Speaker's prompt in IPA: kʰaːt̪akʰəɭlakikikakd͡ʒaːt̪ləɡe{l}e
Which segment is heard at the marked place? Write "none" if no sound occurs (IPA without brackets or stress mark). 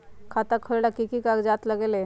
l